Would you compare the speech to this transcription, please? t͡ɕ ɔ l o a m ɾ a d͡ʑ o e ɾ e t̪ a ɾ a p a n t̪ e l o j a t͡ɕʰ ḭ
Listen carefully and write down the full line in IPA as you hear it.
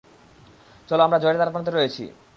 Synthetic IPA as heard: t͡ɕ ɔ l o a m ɾ a d͡ʑ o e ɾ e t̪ a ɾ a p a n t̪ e ɾ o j e t͡ɕʰ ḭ